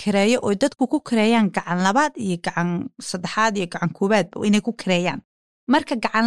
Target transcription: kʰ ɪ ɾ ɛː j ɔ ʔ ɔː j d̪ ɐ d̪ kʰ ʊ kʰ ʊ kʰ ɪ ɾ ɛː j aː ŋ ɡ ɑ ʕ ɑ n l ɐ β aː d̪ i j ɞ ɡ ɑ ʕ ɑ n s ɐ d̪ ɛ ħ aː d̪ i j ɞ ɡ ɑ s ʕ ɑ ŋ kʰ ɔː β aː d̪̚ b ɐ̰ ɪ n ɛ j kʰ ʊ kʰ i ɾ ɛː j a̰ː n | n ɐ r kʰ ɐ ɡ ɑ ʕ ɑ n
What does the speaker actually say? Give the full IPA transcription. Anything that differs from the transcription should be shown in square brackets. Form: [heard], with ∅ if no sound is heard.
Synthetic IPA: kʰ ɪ ɾ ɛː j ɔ ʔ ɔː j d̪ ɐ d̪ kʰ ʊ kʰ ʊ kʰ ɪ ɾ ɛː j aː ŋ ɡ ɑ ʕ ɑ n l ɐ β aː d̪ i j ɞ ɡ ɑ ʕ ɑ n s ɐ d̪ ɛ ħ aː d̪ i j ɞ ɡ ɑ [∅] ʕ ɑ ŋ kʰ ɔː β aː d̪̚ b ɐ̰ ɪ n ɛ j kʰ ʊ kʰ [ɪ] ɾ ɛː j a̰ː n | [m] ɐ r kʰ ɐ ɡ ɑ ʕ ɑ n